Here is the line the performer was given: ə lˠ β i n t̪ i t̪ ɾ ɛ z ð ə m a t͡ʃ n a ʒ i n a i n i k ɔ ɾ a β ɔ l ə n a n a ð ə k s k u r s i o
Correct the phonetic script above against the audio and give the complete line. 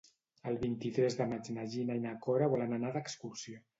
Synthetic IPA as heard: ə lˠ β i n t̪ i t̪ ɾ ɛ z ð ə m a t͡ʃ n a ʒ i n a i n a k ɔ ɾ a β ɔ l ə n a n a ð ə k s k u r s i o